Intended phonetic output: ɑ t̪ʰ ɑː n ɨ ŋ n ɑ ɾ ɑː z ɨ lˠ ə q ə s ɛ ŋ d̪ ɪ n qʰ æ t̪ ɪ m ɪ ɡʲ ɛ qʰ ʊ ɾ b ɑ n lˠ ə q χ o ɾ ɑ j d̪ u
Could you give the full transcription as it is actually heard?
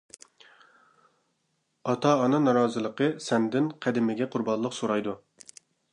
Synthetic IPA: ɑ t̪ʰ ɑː n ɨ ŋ n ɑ ɾ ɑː z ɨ lˠ ə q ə s ɛ n d̪ ɪ n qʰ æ d̪ ɪ m ɪ ɡʲ ɛ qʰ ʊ ɾ b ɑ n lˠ ə q s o ɾ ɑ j d̪ u